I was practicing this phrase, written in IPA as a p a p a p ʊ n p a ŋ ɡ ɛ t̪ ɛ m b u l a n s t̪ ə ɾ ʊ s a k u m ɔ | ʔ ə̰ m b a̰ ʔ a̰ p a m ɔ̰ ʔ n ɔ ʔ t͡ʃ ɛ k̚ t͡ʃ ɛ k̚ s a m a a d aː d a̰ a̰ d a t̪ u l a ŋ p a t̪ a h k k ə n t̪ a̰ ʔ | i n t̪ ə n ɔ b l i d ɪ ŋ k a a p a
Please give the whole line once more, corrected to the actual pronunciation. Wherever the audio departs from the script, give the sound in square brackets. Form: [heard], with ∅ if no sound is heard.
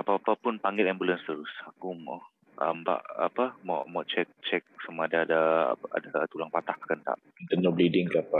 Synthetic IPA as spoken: a p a p a p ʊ n p a ŋ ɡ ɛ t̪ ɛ m b u l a n s t̪ ə ɾ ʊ s a k u m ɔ | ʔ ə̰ m b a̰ ʔ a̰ p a m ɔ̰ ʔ [m] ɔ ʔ t͡ʃ ɛ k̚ t͡ʃ ɛ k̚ s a m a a d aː d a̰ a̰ d a t̪ u l a ŋ p a t̪ a h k k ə n t̪ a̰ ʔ | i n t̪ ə n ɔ b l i d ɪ ŋ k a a p a